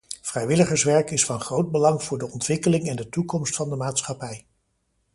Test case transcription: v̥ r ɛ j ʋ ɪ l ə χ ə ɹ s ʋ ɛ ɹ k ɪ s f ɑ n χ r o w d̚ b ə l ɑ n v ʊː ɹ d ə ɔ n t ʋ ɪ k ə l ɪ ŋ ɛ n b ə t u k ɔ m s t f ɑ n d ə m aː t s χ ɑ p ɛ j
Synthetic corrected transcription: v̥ r ɛ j ʋ ɪ l ə χ ə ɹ s ʋ ɛ ɹ k ɪ s f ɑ n χ r o w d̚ b ə l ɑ ŋ v ʊː ɹ d ə ɔ n t ʋ ɪ k ə l ɪ ŋ ɛ n d ə t u k ɔ m s t f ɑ n d ə m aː t s χ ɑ p ɛ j